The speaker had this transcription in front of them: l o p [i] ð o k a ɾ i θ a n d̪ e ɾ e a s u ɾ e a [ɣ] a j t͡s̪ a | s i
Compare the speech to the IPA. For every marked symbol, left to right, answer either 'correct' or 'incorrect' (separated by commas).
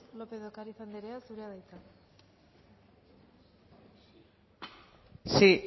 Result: incorrect, incorrect